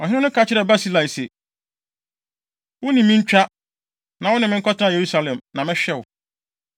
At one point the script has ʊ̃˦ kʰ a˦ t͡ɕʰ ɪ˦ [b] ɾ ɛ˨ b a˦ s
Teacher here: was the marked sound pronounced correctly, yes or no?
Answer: no